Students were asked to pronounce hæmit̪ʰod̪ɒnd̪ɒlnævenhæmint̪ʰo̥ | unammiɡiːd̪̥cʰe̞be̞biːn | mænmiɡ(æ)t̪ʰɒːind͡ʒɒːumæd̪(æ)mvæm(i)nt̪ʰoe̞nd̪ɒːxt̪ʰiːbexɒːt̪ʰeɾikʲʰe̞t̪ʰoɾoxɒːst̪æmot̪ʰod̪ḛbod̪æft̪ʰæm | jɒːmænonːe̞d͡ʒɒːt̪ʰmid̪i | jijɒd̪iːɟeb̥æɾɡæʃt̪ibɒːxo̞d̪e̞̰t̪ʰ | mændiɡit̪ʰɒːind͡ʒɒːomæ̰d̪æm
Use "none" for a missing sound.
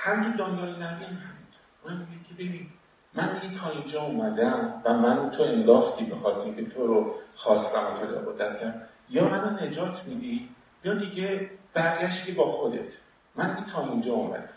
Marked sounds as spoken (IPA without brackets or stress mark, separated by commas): i, æ, æ